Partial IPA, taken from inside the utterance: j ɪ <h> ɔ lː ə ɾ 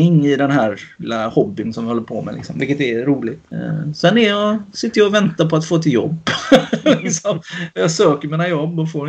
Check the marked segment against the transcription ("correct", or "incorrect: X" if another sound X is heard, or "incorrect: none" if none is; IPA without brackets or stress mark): correct